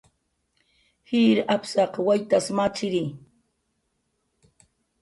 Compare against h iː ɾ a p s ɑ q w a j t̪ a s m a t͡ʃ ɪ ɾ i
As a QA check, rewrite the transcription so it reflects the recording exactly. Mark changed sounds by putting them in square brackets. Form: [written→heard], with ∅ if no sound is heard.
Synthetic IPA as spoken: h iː ɾ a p s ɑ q w a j t̪ a s m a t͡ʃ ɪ ɾ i

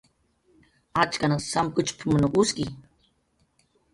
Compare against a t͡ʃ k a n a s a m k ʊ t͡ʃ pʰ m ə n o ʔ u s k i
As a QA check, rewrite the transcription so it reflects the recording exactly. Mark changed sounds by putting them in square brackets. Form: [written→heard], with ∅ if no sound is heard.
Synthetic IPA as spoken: a t͡ʃ k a n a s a m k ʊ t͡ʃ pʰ m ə n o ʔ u s k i

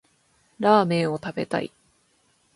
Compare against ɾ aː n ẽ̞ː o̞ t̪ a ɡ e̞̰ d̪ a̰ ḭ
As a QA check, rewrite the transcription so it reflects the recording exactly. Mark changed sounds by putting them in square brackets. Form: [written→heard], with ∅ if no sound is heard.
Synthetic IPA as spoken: ɾ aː [n→m] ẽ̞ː o̞ t̪ a [ɡ→b] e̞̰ [d̪→t̪] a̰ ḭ

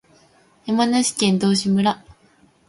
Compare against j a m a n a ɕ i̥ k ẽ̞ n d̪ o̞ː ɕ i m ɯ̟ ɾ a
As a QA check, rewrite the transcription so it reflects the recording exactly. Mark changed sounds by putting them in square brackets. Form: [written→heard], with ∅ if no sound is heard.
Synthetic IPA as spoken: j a m a n a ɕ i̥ k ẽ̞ n d̪ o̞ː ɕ i m ɯ̟ ɾ a

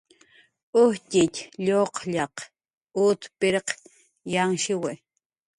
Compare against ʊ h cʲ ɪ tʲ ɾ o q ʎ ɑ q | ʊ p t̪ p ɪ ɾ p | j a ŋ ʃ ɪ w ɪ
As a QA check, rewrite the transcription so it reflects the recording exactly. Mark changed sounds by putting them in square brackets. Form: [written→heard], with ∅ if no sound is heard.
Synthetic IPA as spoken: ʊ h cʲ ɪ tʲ [ɾ→ʎ] o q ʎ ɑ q | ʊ [p→∅] t̪ p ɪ ɾ [p→q] | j a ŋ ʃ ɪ w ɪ

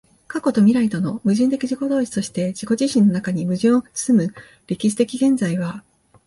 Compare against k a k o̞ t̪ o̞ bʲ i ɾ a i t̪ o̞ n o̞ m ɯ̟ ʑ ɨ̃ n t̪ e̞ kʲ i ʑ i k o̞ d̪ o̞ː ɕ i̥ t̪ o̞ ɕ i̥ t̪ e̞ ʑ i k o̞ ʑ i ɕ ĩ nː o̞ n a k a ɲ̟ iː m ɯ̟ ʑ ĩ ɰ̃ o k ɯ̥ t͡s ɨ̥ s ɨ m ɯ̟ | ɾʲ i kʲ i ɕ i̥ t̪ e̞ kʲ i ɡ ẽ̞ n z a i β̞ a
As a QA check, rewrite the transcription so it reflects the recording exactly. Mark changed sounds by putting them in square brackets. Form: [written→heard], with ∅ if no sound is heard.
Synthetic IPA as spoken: k a k o̞ t̪ o̞ [bʲ→mʲ] i ɾ a i t̪ o̞ n o̞ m ɯ̟ ʑ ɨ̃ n t̪ e̞ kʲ i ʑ i k o̞ d̪ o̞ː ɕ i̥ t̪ o̞ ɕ i̥ t̪ e̞ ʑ i k o̞ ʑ i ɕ ĩ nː o̞ n a k a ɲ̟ [iː→i] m ɯ̟ ʑ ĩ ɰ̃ o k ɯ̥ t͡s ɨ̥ s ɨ m ɯ̟ | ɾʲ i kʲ i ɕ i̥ t̪ e̞ kʲ i ɡ ẽ̞ n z a i β̞ a

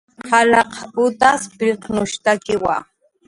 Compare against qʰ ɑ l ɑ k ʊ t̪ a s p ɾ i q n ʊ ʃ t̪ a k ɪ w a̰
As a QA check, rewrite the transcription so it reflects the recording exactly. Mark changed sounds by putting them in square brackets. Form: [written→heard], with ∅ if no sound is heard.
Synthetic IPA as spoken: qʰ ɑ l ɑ [k→q] ʊ t̪ a s p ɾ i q n ʊ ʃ t̪ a k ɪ w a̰

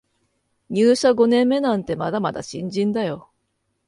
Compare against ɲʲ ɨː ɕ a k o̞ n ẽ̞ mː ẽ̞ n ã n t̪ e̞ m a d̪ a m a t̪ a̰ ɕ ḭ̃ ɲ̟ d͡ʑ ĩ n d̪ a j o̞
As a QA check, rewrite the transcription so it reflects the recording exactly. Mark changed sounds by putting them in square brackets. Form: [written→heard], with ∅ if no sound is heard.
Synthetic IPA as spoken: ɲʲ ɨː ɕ a [k→ɡ] o̞ n ẽ̞ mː [ẽ̞→e̞] n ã n t̪ e̞ m a d̪ a m a [t̪→d̪] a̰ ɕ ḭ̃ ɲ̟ d͡ʑ ĩ n d̪ a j o̞

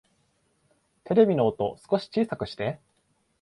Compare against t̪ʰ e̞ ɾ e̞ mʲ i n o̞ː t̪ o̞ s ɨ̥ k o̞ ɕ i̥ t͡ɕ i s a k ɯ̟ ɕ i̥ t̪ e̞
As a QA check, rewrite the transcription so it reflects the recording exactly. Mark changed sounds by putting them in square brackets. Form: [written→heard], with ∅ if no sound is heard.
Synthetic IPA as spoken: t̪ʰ e̞ ɾ e̞ [mʲ→bʲ] i n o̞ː t̪ o̞ s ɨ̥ k o̞ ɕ i̥ t͡ɕ [i→iː] s a k ɯ̟ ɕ i̥ t̪ e̞

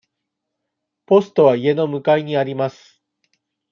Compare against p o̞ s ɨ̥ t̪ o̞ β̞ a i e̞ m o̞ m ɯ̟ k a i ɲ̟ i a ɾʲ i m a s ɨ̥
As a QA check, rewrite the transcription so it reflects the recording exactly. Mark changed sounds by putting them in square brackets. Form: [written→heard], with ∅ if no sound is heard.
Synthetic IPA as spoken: p o̞ s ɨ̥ t̪ o̞ β̞ a i e̞ [m→n] o̞ m ɯ̟ k a i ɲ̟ i a ɾʲ i m a s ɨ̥

